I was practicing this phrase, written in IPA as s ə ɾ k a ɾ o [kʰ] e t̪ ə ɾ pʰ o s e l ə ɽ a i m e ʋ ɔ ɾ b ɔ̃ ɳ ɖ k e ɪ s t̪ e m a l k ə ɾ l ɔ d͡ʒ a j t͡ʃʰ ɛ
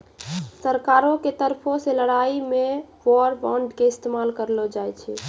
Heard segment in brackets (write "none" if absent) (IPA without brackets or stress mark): k